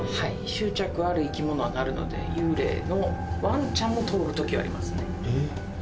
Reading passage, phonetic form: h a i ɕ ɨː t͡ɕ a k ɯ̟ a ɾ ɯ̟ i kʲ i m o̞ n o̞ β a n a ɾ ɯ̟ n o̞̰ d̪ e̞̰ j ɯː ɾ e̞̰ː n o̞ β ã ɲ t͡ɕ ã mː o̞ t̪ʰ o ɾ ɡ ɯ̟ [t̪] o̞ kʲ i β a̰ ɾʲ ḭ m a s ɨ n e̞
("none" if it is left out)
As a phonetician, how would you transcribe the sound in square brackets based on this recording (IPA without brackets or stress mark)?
t̪